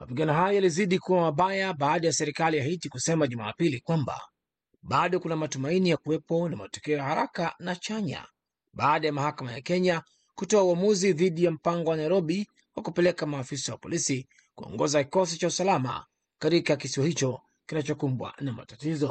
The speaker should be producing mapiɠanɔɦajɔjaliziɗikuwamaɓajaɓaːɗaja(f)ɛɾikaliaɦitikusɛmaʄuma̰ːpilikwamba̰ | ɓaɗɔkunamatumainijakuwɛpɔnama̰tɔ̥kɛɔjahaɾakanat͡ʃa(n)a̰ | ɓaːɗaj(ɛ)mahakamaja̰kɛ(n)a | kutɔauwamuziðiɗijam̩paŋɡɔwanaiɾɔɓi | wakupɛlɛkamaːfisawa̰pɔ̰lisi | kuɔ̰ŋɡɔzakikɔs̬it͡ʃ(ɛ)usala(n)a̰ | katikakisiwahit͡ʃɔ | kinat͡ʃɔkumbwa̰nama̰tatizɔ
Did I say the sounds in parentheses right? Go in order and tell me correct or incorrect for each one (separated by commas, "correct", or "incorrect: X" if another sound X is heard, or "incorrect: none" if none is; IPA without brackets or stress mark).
incorrect: s, incorrect: ɲ, incorrect: a, incorrect: ɲ, incorrect: a, incorrect: m